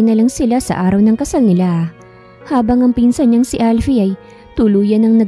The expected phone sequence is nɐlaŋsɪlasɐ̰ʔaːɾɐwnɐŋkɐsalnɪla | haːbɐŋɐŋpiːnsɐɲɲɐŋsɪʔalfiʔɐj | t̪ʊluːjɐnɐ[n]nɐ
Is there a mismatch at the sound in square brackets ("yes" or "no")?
yes